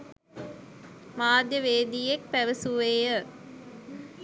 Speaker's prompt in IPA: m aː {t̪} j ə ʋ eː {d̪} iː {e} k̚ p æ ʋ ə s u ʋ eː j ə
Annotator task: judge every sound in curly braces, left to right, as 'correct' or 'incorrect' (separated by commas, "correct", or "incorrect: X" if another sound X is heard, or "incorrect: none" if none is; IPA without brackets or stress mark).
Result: incorrect: d̪, correct, correct